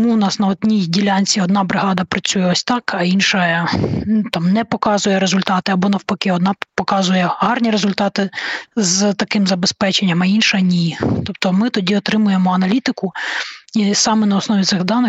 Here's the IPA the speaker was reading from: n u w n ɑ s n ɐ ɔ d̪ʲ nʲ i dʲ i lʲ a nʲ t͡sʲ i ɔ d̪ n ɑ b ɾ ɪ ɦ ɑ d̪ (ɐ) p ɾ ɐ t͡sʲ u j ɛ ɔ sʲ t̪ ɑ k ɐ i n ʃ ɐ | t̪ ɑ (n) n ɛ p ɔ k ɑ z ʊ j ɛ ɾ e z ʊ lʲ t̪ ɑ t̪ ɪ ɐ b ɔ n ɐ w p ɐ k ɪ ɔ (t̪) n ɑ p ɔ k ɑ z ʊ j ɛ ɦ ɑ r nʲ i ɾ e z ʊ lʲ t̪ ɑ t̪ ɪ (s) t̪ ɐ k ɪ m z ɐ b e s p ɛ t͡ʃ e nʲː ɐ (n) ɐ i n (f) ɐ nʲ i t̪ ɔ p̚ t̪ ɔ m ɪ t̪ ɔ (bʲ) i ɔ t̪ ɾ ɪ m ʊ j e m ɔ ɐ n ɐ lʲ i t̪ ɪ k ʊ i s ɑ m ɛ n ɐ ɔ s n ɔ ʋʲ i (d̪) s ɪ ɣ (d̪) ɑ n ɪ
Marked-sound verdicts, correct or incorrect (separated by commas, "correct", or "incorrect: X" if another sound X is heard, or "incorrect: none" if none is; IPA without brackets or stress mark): correct, incorrect: m, incorrect: d̪, incorrect: z, incorrect: m, incorrect: ʃ, incorrect: dʲ, incorrect: t̪, correct